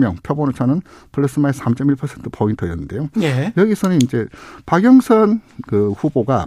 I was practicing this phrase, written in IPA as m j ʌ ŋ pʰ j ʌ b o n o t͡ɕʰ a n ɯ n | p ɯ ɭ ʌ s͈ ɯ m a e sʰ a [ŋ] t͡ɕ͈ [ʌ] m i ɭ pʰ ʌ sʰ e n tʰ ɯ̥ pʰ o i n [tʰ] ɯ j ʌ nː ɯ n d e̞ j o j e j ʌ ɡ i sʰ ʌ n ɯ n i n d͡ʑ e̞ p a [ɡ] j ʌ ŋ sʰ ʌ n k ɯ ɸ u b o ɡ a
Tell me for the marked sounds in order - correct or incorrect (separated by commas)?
incorrect, correct, correct, correct